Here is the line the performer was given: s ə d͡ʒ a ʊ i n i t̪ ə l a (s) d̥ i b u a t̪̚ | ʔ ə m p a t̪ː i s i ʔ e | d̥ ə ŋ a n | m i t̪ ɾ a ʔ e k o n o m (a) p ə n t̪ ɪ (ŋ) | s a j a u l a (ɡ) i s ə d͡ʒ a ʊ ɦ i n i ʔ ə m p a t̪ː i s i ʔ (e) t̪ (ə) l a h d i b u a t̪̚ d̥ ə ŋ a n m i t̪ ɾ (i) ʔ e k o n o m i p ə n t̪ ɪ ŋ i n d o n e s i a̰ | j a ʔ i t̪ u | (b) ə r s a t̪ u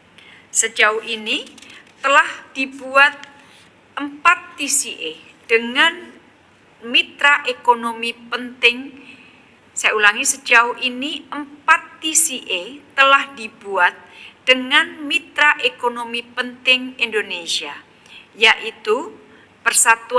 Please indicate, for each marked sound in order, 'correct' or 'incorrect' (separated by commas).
incorrect, incorrect, correct, incorrect, correct, correct, incorrect, incorrect